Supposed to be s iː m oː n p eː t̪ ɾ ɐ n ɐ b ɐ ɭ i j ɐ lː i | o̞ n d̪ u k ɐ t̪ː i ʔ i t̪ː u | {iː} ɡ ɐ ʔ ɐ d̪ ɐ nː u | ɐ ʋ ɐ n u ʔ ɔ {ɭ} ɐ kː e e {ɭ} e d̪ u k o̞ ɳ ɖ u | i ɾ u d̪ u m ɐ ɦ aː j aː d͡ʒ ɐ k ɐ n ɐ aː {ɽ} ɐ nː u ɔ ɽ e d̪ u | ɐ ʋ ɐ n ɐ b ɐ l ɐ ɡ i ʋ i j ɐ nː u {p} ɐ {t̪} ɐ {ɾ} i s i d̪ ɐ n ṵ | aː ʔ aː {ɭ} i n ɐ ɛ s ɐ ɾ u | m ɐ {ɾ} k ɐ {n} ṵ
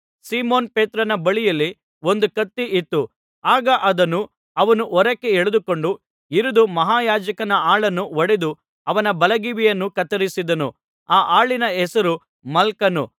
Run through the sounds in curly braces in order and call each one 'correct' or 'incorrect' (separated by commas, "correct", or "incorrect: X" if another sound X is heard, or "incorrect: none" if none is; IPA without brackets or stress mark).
incorrect: aː, incorrect: ɾ, correct, incorrect: ɭ, incorrect: k, correct, correct, correct, incorrect: l, correct